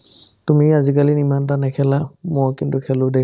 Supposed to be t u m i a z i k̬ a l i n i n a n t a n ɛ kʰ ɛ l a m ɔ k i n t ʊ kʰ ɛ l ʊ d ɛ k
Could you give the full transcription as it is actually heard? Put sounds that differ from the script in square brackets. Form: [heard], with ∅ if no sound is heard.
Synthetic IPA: t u m i a z i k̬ a l i n i [m] a n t a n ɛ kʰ ɛ l a m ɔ k i n t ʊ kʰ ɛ l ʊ d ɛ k